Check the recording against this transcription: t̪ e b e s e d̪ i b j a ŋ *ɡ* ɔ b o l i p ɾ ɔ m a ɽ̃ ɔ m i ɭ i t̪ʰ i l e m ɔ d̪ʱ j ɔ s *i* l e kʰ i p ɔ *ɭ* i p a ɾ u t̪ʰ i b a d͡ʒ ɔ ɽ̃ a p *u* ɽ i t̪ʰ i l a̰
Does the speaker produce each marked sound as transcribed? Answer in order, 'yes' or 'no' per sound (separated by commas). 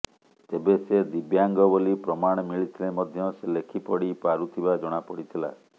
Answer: yes, no, no, no